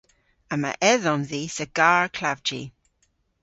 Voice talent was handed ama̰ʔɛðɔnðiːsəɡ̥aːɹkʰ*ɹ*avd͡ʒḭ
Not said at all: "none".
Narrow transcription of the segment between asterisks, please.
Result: l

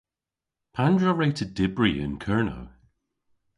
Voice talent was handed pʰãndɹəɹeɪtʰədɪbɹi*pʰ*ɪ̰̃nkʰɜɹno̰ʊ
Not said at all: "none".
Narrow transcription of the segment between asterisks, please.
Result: none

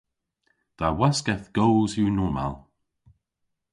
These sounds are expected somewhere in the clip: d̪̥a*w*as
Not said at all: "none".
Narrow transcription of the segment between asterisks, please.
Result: w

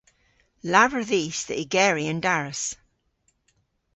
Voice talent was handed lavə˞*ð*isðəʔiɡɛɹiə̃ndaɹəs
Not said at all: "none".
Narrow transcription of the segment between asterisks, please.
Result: ð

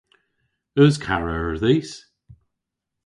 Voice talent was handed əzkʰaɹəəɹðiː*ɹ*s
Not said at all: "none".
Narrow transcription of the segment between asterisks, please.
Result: none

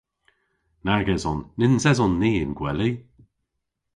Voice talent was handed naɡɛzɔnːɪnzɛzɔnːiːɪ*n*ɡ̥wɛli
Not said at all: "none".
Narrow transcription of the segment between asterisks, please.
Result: n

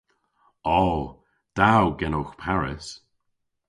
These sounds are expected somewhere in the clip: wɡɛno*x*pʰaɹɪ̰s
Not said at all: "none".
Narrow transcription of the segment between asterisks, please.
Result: x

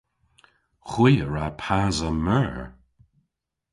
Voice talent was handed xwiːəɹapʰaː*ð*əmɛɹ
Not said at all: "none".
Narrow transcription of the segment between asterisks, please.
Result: z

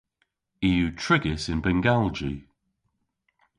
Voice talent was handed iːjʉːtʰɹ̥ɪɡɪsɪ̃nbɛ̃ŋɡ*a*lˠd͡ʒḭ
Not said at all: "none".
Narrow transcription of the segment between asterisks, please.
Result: a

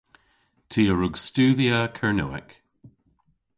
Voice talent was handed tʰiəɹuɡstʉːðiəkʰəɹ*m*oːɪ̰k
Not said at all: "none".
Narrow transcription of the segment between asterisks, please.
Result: n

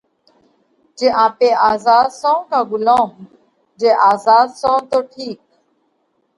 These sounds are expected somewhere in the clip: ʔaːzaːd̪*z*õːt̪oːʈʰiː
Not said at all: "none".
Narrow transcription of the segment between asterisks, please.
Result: s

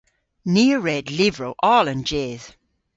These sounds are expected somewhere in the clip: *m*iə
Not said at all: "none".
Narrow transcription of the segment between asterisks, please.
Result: n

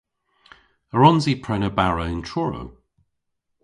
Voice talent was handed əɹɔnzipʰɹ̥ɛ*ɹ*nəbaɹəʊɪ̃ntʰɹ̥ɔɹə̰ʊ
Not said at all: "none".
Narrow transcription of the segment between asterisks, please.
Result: none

